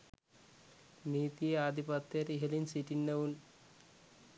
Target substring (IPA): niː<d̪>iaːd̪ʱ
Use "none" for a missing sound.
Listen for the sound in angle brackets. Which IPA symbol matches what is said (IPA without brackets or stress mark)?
t̪